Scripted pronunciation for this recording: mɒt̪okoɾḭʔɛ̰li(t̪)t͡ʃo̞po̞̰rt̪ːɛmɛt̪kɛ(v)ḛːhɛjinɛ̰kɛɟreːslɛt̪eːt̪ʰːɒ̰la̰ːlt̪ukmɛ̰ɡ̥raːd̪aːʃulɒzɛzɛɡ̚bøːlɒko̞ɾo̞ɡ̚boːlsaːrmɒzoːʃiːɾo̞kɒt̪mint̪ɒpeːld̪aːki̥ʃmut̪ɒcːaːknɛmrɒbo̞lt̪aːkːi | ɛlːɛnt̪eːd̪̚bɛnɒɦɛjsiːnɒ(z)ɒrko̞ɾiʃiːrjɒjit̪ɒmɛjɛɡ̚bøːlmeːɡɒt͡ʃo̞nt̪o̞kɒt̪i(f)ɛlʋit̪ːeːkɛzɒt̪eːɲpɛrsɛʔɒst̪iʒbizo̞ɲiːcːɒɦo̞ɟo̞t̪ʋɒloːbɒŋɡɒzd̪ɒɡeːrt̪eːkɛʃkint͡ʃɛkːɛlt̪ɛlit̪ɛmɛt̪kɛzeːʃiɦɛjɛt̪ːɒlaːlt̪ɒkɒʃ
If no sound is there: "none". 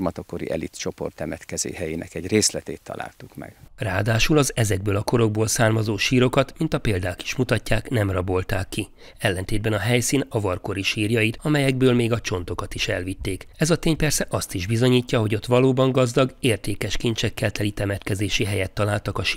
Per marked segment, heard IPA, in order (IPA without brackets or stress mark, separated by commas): t̪, z, v, ʃ